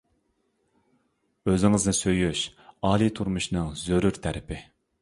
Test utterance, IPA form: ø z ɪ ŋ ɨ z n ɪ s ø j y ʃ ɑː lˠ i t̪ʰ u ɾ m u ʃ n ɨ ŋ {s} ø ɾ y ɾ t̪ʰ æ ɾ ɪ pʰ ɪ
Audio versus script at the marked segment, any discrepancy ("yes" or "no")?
yes